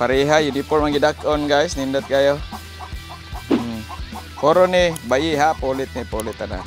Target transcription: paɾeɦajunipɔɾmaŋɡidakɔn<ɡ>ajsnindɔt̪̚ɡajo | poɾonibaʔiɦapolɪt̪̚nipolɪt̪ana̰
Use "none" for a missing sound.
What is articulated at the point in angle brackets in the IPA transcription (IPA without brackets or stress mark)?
ɡ